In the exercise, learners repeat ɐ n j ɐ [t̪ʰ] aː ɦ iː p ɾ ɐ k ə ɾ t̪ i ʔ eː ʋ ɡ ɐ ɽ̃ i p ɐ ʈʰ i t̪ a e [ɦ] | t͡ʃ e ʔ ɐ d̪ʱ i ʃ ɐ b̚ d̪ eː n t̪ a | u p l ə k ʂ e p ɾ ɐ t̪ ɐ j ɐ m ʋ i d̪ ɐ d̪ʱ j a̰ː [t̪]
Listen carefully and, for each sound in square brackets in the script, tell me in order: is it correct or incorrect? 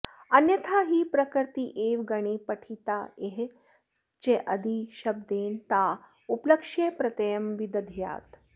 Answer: correct, correct, correct

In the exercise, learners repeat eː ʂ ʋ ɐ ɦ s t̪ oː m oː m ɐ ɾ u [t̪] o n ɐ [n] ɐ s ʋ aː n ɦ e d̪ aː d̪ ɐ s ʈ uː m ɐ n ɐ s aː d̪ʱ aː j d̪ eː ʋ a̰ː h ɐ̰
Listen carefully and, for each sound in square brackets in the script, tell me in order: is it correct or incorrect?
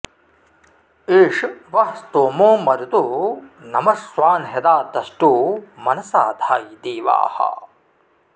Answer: correct, incorrect

